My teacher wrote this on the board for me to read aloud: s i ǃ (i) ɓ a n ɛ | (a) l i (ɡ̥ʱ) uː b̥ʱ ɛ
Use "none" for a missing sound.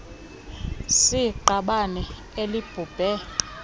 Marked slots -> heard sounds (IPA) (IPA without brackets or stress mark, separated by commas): a, e, b̥ʱ